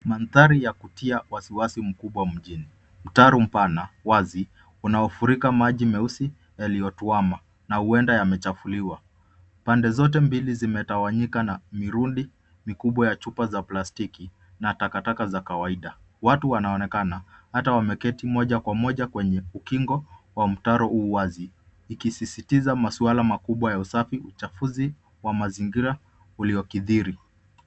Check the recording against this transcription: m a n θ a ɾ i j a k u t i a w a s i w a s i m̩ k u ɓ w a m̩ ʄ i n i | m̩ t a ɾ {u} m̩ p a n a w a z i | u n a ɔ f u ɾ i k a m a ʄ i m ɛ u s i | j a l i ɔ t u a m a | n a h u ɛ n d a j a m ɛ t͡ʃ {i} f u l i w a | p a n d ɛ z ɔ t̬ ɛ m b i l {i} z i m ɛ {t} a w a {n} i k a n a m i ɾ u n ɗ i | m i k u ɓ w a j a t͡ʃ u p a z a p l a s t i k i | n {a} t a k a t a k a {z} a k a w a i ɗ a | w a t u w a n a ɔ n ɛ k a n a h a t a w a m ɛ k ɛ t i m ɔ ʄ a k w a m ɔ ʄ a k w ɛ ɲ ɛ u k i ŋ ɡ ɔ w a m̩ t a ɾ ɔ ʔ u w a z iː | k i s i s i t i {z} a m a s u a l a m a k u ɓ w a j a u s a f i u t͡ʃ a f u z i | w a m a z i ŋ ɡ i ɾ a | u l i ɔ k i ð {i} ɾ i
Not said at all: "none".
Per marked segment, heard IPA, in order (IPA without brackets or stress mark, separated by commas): u, a, i, t, ɲ, a, z, z, i